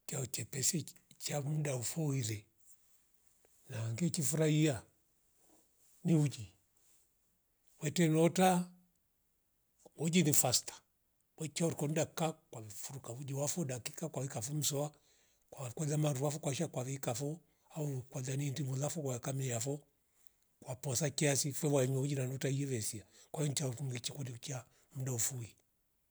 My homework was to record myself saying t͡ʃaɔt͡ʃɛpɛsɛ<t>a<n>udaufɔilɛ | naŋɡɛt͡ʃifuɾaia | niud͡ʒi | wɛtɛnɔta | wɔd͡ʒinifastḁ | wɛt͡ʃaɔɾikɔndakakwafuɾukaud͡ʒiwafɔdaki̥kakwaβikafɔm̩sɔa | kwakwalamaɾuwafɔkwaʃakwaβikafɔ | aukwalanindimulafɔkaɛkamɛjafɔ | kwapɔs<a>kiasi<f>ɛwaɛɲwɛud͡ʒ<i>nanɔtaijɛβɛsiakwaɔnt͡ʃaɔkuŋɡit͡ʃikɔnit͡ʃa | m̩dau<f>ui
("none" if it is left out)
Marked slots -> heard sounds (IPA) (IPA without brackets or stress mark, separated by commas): t͡ʃ, m, a, f, i, f